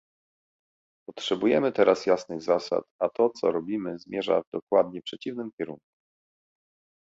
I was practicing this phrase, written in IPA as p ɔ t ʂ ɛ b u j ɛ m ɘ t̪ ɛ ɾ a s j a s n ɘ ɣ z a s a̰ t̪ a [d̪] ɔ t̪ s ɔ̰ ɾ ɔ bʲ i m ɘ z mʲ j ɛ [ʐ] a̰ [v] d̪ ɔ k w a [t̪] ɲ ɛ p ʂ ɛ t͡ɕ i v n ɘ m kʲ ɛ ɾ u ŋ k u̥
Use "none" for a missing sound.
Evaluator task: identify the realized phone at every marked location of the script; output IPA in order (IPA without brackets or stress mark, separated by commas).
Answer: t̪, ʐ, v, d̪